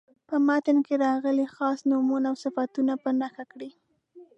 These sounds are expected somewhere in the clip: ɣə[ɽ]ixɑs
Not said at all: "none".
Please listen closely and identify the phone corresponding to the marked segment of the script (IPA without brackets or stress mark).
l